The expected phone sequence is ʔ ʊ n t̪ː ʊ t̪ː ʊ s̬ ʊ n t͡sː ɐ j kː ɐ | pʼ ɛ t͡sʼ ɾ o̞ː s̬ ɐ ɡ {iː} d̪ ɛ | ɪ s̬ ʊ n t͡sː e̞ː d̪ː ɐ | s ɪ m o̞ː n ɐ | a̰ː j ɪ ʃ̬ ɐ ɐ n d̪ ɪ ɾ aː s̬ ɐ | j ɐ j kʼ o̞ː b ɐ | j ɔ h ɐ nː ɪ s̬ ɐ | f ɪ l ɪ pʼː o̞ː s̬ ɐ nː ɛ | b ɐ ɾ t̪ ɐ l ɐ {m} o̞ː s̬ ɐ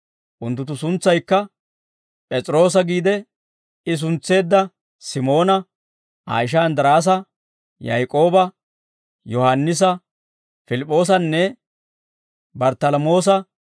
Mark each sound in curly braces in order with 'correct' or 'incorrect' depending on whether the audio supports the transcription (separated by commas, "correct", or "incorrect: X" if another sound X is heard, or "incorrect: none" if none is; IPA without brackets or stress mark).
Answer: correct, correct